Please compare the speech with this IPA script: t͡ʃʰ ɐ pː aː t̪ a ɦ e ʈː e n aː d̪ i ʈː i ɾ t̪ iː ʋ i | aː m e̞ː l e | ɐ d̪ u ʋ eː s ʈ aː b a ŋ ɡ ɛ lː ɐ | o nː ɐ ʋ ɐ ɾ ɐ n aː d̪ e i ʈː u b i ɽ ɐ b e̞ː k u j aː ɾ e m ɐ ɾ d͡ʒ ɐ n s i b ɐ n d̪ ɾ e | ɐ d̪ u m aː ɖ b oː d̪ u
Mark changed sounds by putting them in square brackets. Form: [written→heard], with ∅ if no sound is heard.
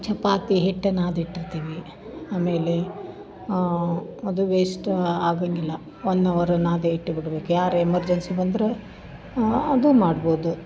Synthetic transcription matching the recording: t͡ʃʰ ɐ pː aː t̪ [a→i] ɦ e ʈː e n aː d̪ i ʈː i ɾ t̪ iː ʋ i | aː m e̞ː l e | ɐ d̪ u ʋ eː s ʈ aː [b→ɡ] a ŋ ɡ [ɛ→i] lː ɐ | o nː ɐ ʋ ɐ ɾ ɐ n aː d̪ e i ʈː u b i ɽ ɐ b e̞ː k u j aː ɾ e m ɐ ɾ d͡ʒ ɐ n s i b ɐ n d̪ ɾ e | ɐ d̪ u m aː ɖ b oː d̪ u

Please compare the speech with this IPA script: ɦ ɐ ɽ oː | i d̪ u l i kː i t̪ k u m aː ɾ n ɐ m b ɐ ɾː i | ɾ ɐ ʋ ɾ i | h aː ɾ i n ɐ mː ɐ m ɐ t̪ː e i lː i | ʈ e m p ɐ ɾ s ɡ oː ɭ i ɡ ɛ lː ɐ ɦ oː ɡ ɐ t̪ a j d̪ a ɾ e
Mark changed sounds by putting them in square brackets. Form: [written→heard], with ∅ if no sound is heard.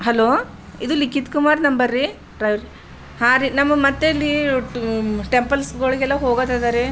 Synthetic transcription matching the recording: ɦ ɐ [ɽ→l] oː | i d̪ u l i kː i t̪ k u m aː ɾ n ɐ m b ɐ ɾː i | ɾ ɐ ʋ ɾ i | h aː ɾ i n ɐ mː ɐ m ɐ t̪ː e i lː i | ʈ e m p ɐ [ɾ→l] s ɡ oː ɭ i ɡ ɛ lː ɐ ɦ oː ɡ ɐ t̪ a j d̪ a ɾ e

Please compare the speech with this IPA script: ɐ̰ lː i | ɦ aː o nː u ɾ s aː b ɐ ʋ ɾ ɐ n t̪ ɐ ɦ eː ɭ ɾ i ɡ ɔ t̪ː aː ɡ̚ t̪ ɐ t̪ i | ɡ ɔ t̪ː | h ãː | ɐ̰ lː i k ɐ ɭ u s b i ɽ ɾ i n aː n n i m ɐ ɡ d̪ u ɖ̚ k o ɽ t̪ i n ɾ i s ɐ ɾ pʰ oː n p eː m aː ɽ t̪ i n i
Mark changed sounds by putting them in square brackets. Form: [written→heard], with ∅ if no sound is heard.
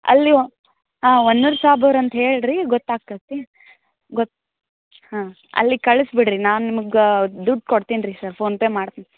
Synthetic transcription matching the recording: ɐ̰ lː i | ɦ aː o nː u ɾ s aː b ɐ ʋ ɾ ɐ n t̪ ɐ ɦ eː ɭ ɾ i ɡ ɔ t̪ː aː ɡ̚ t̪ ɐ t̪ i | ɡ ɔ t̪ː | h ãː | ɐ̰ lː i k ɐ ɭ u s b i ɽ ɾ i n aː n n i m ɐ ɡ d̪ u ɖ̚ k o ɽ t̪ i n ɾ i s ɐ ɾ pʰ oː n p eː m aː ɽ t̪ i n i

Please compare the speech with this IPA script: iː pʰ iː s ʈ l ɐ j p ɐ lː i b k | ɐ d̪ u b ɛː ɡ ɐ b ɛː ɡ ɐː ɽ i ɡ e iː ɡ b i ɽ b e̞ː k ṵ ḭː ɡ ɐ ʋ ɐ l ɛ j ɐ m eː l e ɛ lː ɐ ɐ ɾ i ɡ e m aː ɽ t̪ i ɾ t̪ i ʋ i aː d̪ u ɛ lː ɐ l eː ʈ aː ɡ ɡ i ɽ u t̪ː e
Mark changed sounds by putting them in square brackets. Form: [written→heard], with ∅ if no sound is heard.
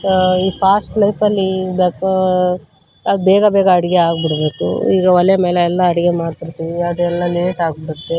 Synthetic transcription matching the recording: iː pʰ [iː→aː] s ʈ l ɐ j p ɐ lː i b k | ɐ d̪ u b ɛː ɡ ɐ b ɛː ɡ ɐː ɽ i ɡ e [iː→aː] ɡ b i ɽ b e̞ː k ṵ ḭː ɡ ɐ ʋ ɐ l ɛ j ɐ m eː l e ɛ lː ɐ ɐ [ɾ→ɽ] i ɡ e m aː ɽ t̪ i ɾ t̪ i ʋ i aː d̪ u ɛ lː ɐ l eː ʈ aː ɡ [ɡ→b] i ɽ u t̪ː e

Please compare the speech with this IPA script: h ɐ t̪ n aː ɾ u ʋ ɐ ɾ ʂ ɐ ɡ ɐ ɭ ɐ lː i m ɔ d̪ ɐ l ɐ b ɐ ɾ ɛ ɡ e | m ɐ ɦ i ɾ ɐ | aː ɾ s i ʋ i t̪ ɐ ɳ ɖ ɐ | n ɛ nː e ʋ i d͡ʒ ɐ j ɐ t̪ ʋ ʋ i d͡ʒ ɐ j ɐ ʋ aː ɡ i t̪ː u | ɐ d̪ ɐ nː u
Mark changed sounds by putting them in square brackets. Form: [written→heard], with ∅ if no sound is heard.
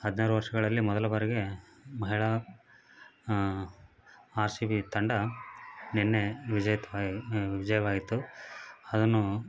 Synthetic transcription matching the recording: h ɐ [t̪→d̪] n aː ɾ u ʋ ɐ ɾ ʂ ɐ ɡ ɐ ɭ ɐ lː i m ɔ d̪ ɐ l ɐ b ɐ ɾ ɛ ɡ e | m ɐ ɦ i [ɾ→ɭ] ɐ | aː ɾ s i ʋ i t̪ ɐ ɳ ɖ ɐ | n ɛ nː e ʋ i d͡ʒ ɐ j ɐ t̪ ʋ ʋ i d͡ʒ ɐ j ɐ ʋ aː ɡ i t̪ː u | ɐ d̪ ɐ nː u

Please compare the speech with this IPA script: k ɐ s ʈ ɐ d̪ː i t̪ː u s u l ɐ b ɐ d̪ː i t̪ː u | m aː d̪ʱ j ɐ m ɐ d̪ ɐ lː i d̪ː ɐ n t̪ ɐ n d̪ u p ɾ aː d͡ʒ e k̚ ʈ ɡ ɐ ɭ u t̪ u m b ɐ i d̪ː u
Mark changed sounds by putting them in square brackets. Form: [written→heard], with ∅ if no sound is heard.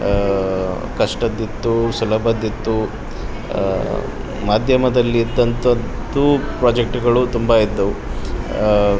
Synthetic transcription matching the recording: k ɐ [s→ʂ] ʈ ɐ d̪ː i t̪ː u s u l ɐ b ɐ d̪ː i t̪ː u | m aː d̪ʱ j ɐ m ɐ d̪ ɐ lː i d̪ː ɐ n t̪ ɐ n [d̪→t̪] u p ɾ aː d͡ʒ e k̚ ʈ ɡ ɐ ɭ u t̪ u m b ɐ i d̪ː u

